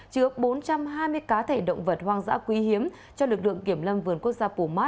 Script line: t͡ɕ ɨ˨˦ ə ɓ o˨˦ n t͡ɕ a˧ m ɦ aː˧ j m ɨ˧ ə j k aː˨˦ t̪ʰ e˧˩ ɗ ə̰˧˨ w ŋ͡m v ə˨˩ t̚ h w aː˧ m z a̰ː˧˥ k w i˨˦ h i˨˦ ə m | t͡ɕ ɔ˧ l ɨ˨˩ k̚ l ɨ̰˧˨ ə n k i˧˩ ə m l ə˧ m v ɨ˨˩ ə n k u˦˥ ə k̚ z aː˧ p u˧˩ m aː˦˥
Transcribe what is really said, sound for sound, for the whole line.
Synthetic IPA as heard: t͡ɕ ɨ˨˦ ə ɓ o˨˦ n t͡ɕ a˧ m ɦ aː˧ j m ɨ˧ ə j k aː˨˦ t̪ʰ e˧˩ ɗ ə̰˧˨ w ŋ͡m v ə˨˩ t̚ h w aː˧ ŋ z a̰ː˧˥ k w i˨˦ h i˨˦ ə m | t͡ɕ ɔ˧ l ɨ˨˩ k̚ l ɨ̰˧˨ ə ŋ k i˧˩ ə m l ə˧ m v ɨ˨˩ ə n k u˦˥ ə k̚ z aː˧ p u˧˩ m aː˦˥